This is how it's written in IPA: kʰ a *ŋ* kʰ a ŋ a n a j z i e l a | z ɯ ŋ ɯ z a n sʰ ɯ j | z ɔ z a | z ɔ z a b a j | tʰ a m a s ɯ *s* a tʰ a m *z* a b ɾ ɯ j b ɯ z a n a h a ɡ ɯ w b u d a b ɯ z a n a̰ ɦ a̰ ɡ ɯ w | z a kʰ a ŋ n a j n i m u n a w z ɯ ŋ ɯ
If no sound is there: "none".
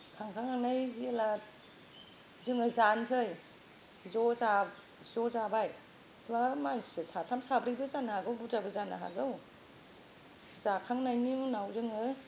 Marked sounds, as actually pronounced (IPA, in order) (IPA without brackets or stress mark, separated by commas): ŋ, s, s